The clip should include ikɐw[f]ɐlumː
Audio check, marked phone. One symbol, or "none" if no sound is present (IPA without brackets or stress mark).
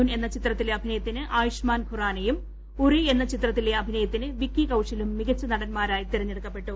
ʂ